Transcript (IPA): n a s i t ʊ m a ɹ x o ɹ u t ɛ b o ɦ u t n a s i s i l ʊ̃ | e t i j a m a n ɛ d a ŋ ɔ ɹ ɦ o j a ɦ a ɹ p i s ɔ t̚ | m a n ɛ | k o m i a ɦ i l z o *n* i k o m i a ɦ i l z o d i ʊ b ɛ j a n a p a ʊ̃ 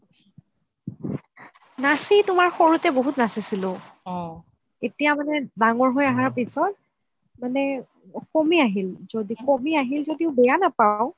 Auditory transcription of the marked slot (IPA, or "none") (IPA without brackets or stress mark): d